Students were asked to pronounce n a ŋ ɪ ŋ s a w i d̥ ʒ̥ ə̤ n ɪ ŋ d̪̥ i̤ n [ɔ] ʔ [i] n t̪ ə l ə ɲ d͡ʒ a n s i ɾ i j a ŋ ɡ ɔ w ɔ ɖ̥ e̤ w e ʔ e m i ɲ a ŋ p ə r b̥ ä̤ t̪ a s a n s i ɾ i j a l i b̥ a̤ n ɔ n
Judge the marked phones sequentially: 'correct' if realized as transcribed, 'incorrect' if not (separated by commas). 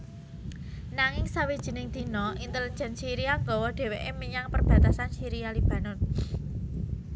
correct, correct